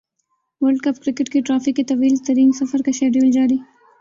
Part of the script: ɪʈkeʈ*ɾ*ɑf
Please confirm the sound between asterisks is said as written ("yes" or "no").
yes